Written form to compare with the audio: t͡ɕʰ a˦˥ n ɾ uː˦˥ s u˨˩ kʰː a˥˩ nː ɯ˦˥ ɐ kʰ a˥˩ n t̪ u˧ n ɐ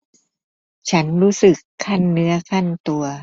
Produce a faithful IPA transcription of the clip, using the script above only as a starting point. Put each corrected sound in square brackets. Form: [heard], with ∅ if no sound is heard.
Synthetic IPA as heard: t͡ɕʰ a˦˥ n ɾ uː˦˥ s [ɯ˨˩] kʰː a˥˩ nː ɯ˦˥ ɐ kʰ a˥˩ n t̪ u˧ [∅] ɐ